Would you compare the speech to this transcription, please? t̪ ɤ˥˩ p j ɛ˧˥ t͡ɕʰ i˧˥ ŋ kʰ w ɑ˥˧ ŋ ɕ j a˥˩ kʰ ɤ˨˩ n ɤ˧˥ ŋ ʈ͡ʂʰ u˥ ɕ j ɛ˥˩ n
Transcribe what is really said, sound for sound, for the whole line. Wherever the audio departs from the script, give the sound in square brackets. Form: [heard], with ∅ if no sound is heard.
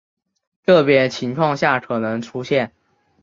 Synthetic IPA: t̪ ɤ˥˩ p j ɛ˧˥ t͡ɕʰ i˧˥ ŋ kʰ w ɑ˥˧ ŋ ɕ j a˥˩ kʰ ɤ˨˩ n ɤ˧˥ ŋ ʈ͡ʂʰ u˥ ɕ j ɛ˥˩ n